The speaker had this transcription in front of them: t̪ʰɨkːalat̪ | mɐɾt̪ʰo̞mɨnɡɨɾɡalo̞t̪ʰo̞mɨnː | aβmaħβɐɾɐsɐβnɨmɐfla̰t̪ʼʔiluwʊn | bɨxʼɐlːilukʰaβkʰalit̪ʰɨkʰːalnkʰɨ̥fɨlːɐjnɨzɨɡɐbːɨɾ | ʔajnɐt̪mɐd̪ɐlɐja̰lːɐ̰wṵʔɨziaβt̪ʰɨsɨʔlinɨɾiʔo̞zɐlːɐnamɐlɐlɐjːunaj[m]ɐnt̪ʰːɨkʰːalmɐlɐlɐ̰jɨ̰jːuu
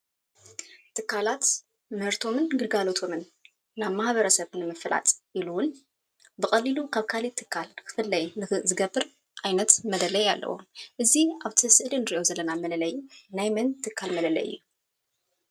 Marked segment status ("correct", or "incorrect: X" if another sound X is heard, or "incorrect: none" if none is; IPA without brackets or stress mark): correct